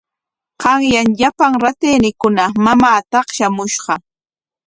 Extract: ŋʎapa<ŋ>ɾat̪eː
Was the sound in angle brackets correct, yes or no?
yes